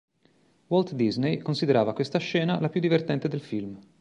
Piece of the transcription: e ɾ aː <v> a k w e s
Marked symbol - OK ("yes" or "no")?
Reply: yes